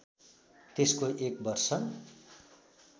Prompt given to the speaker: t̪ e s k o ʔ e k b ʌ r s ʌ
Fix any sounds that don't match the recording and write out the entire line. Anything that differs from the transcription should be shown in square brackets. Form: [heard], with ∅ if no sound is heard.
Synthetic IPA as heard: t̪ e s k o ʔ e k b ʌ r s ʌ